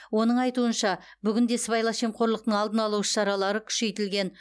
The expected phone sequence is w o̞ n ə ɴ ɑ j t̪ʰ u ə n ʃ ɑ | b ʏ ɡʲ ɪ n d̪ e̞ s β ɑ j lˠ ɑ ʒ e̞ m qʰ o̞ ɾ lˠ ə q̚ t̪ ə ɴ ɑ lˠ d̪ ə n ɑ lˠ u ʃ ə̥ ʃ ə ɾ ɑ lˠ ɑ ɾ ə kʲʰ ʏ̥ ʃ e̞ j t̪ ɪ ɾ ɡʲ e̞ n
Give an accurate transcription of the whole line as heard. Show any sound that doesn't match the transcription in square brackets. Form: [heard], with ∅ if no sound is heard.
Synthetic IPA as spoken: w o̞ n ə ɴ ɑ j [t̪] u ə n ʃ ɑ | b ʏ ɡʲ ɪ n d̪ e̞ s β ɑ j lˠ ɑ [ʃ] e̞ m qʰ o̞ ɾ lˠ ə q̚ t̪ ə ɴ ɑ lˠ d̪ ə n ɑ lˠ u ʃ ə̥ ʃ [ɑ] ɾ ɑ lˠ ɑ ɾ ə kʲʰ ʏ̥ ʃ e̞ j t̪ ɪ [l] ɡʲ e̞ n